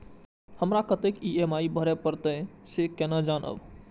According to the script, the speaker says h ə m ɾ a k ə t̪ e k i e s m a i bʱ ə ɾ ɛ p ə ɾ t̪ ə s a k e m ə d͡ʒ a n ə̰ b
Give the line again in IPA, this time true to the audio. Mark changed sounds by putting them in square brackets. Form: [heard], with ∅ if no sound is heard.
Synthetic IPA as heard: h ə m ɾ a k ə t̪ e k i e [∅] m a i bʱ ə ɾ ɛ p ə ɾ t̪ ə s [e] k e [n] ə d͡ʒ a n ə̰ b